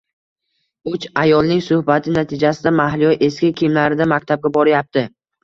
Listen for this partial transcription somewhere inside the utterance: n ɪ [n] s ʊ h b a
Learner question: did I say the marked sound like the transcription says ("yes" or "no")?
no